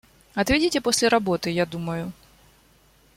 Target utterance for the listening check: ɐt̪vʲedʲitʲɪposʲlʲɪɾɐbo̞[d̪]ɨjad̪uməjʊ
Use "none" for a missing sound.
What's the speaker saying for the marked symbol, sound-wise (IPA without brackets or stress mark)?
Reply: t̪